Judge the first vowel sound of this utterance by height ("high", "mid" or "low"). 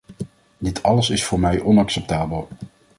high